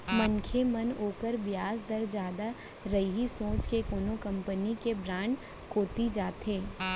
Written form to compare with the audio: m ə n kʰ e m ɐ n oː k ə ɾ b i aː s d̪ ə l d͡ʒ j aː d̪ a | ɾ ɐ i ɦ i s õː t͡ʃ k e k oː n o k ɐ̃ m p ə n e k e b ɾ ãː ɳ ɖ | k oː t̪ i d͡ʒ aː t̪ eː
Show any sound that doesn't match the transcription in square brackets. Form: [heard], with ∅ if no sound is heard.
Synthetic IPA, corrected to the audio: m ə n kʰ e m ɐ n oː k ə ɾ b [j] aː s d̪ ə [ɾ] d͡ʒ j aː d̪ a | ɾ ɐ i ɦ i s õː t͡ʃ k e k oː n o k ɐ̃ m p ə n [i] k e b ɾ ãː ɳ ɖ | k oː t̪ i d͡ʒ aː t̪ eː